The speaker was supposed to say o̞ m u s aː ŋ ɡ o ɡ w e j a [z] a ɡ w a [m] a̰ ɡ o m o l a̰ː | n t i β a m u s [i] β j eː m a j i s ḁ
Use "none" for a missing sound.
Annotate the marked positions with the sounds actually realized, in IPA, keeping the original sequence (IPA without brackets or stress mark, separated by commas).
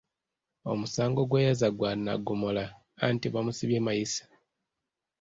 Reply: z, n, i